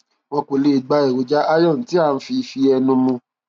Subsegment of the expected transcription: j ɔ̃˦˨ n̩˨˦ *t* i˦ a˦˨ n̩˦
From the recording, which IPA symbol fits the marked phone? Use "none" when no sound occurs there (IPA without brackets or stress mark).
t